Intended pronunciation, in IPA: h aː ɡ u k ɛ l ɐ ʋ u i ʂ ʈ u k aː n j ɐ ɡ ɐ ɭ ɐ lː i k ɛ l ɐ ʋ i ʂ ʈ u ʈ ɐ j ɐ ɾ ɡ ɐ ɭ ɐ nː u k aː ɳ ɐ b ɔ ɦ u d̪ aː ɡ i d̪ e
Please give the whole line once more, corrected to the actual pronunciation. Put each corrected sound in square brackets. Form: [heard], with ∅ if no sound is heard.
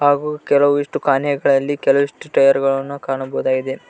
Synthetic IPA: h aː ɡ u k ɛ l ɐ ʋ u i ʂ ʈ u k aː n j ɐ ɡ ɐ ɭ ɐ lː i k ɛ l ɐ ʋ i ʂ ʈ u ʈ ɐ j ɐ ɾ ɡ ɐ ɭ ɐ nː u k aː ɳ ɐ b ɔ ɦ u d̪ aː ɡ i d̪ e

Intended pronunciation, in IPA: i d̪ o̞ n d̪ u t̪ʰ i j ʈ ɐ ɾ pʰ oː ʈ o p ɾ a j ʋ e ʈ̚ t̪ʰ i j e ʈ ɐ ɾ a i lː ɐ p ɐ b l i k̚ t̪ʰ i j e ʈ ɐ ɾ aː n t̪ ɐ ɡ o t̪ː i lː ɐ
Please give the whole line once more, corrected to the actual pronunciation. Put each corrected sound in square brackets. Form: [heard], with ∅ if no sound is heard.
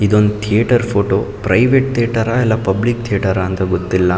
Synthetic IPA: i d̪ o̞ n d̪ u t̪ʰ i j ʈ ɐ ɾ pʰ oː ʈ o p ɾ [ɐ] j ʋ e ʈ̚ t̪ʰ i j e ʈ ɐ ɾ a [ɛ] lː ɐ p ɐ b l i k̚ t̪ʰ i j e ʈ ɐ ɾ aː n t̪ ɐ ɡ o t̪ː i lː ɐ

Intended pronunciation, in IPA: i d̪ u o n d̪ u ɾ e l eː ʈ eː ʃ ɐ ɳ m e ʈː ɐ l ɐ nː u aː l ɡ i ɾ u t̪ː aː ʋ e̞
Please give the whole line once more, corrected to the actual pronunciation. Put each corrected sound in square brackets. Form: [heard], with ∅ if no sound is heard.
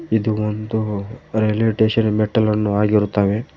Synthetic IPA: i d̪ u o n d̪ u ɾ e l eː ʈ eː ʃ ɐ [n] m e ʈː ɐ l ɐ nː u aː [∅] ɡ i ɾ u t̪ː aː ʋ e̞

